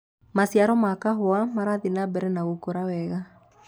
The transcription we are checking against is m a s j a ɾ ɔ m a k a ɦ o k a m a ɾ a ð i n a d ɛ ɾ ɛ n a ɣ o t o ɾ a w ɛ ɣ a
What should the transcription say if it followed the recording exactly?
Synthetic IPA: m a s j a ɾ ɔ m a k a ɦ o a m a ɾ a ð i n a b ɛ ɾ ɛ n a ɣ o k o ɾ a w ɛ ɣ a